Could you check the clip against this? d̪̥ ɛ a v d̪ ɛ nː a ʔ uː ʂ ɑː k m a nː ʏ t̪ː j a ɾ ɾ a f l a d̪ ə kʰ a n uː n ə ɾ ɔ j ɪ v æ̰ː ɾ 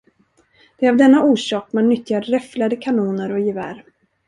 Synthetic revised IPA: d̪̥ ɛ a v d̪ ɛ nː a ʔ uː ʂ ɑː k m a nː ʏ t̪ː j a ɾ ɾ ɛ f l a d̪ ə kʰ a n uː n ə ɾ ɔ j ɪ v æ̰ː ɾ